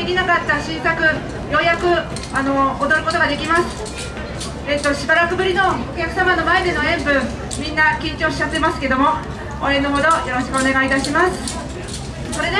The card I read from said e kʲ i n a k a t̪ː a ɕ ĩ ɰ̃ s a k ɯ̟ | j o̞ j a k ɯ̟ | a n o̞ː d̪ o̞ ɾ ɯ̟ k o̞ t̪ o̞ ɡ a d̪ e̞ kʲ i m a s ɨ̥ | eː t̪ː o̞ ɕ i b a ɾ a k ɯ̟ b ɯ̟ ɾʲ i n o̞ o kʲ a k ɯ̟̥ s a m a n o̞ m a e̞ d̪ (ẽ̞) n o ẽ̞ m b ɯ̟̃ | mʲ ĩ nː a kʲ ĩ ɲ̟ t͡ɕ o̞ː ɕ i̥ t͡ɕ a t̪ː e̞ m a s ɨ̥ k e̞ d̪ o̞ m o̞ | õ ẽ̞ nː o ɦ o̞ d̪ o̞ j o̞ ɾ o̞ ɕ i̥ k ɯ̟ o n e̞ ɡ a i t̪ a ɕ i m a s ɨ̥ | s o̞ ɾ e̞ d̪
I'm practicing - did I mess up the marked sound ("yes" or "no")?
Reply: yes